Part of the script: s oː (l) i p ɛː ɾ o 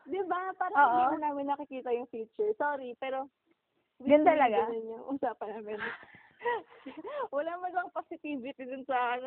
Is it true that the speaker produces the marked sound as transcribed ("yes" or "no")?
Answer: no